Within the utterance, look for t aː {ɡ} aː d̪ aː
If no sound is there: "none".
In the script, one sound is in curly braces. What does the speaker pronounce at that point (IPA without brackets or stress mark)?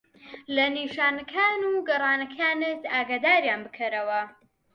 ɡ